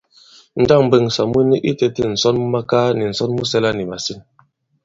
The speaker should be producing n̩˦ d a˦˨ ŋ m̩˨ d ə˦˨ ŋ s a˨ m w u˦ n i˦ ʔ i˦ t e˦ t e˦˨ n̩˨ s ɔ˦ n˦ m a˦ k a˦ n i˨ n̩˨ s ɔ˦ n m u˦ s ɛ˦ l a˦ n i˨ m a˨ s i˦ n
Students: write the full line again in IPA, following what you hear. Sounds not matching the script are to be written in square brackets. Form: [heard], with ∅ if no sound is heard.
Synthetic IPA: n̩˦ d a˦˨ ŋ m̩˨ [b] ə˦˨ ŋ s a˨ m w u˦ n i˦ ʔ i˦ t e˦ t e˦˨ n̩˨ s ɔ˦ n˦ m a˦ k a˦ n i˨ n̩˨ s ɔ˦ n m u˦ s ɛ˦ l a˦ n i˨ m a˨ s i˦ n